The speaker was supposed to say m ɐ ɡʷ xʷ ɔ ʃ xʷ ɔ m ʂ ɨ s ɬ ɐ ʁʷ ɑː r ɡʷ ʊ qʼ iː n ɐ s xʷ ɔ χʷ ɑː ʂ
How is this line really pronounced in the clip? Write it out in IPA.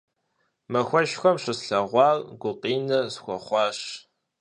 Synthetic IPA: m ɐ xʷ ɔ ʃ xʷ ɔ m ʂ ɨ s ɬ ɐ ʁʷ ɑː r ɡʷ ʊ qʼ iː n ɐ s xʷ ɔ χʷ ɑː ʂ

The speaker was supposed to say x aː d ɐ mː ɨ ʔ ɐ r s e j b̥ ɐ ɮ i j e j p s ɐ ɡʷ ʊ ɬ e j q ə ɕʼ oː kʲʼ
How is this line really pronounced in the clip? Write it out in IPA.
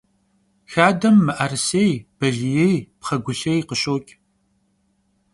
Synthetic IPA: x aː d ɐ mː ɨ ʔ ɐ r s e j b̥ ɐ ɮ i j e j p χ ɐ ɡʷ ʊ ɬ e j q ə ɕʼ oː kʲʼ

